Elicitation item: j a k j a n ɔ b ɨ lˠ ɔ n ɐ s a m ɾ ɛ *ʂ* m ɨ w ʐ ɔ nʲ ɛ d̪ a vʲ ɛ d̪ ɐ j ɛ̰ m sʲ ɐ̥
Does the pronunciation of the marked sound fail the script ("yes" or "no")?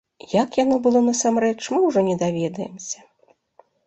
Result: yes